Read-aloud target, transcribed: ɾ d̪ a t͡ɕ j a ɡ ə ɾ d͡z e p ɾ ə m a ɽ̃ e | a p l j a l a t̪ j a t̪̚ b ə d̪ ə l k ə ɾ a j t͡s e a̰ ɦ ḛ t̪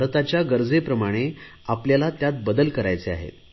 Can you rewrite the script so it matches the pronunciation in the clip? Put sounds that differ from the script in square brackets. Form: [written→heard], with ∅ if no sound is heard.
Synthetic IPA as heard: ɾ [d̪→t̪] a t͡ɕ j a ɡ ə ɾ d͡z e p ɾ ə m a ɽ̃ e | a p l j a l a t̪ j a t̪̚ b ə d̪ ə l k ə ɾ a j t͡s e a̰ ɦ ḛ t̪